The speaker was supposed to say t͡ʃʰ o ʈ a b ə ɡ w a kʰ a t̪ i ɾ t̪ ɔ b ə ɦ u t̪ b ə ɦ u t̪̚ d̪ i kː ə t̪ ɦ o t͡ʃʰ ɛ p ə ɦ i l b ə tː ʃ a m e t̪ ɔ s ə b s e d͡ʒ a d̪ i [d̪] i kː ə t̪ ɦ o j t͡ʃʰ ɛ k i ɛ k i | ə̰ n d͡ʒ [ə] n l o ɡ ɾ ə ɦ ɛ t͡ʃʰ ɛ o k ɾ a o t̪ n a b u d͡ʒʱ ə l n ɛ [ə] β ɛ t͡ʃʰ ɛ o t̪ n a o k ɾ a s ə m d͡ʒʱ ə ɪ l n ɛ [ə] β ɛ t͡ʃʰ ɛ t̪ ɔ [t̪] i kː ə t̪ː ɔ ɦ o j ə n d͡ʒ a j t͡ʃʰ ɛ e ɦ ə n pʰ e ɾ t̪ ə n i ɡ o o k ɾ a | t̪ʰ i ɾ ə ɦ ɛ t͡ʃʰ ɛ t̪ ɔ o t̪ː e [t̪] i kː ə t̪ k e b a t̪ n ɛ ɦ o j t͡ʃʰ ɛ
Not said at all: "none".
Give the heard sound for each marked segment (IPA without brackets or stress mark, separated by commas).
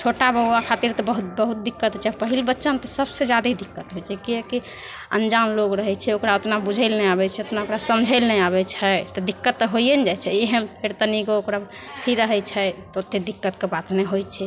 d̪, a, a, a, d̪, d̪